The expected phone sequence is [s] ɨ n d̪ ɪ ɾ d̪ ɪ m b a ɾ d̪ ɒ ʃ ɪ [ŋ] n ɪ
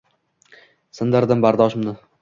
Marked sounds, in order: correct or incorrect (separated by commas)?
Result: correct, incorrect